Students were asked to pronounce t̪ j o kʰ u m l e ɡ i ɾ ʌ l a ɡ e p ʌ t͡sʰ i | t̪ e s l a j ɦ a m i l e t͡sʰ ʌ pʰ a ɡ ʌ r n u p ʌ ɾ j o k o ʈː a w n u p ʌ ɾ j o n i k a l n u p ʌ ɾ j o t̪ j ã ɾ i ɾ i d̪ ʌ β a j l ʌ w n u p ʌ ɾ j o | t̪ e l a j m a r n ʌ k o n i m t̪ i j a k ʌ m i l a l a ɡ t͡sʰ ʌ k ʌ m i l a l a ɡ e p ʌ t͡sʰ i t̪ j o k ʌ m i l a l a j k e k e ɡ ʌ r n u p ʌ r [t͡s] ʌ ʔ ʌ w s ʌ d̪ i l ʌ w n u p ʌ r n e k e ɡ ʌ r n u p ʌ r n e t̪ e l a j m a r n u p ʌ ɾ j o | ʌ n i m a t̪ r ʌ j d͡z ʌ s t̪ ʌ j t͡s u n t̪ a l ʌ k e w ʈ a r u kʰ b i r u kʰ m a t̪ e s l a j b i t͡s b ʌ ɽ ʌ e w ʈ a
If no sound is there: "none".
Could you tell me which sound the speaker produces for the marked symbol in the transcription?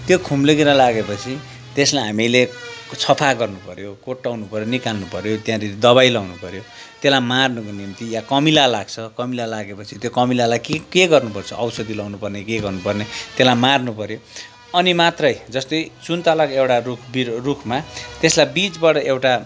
t͡sʰ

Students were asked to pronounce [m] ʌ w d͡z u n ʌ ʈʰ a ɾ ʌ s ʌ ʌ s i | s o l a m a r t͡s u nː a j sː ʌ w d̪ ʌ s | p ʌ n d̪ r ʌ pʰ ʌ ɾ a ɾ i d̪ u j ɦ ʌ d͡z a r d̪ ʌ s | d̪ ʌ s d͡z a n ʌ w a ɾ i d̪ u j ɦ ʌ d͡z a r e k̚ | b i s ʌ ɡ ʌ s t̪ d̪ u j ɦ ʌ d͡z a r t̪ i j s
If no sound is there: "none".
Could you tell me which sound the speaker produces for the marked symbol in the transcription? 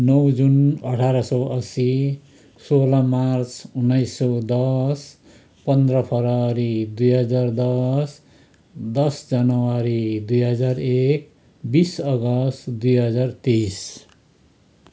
n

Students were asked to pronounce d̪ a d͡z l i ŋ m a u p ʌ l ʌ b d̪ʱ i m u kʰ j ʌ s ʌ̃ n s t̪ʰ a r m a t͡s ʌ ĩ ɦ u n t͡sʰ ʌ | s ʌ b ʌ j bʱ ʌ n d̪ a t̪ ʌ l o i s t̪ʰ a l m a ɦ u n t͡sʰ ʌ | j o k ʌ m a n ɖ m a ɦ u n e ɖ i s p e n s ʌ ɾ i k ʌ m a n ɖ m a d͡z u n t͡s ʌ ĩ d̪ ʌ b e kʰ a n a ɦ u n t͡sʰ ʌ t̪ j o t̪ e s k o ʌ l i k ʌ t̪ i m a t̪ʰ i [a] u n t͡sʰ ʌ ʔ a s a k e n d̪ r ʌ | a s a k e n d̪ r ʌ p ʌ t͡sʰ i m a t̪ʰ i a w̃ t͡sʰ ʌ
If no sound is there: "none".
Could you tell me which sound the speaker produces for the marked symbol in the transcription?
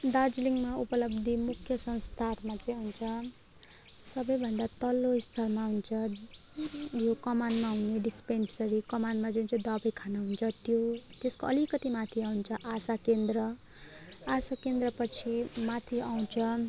a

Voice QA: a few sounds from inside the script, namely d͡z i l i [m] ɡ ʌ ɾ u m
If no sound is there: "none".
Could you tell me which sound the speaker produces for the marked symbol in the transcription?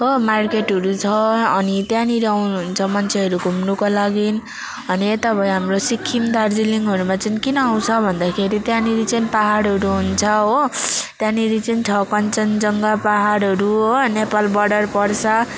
ŋ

